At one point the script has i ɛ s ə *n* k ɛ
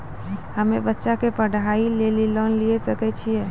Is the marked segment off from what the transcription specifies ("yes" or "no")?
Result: yes